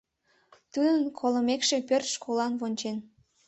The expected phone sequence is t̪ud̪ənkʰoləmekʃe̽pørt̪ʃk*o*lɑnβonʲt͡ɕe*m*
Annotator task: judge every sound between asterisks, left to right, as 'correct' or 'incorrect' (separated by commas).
correct, incorrect